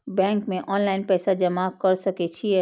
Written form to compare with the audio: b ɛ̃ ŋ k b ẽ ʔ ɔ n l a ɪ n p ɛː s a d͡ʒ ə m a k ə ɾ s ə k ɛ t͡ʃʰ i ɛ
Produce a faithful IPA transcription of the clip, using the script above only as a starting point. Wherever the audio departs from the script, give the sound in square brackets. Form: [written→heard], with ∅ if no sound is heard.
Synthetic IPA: b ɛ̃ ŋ k [b→m] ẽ ʔ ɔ n l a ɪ n p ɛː s a d͡ʒ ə m a k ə ɾ s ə k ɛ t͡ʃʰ i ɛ